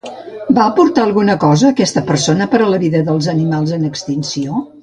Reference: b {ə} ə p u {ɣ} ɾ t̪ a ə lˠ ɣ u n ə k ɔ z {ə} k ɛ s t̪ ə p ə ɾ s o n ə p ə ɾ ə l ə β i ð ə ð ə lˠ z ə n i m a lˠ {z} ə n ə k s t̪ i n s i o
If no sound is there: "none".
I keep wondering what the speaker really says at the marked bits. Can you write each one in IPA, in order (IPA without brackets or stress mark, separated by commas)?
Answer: a, none, əː, z